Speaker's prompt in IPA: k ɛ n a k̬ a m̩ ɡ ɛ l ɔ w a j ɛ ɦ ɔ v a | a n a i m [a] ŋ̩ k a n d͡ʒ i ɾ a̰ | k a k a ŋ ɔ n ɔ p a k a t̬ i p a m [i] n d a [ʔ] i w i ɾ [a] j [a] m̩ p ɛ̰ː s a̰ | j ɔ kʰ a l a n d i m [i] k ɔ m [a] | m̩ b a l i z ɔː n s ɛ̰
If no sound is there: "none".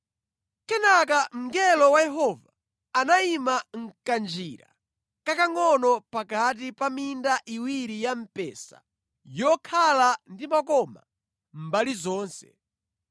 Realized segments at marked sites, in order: a, i, ʔ, i, a, a, a

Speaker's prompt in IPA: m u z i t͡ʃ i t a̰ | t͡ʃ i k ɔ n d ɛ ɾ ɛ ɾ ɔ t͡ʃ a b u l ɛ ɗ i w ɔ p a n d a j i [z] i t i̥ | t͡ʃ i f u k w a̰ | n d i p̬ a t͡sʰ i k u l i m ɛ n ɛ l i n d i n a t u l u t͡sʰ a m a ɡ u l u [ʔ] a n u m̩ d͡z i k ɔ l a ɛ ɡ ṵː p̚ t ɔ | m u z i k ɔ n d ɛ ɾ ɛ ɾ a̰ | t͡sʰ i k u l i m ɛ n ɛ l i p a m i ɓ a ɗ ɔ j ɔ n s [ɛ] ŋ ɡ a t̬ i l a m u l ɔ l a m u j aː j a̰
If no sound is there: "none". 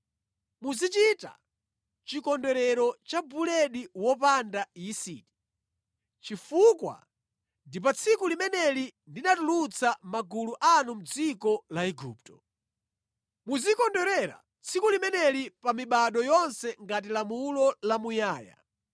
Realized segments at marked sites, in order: s, ʔ, ɛ

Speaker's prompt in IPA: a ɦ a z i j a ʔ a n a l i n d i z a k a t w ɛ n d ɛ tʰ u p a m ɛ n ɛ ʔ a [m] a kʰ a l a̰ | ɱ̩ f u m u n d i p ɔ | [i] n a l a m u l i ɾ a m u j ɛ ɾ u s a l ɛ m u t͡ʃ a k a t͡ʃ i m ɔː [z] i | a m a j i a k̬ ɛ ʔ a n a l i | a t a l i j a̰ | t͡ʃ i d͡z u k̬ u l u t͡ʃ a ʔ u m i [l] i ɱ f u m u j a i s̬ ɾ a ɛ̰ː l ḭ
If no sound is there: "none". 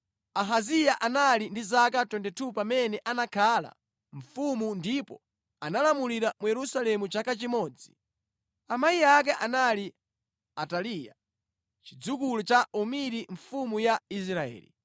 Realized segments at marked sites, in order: n, a, d͡z, ɾ

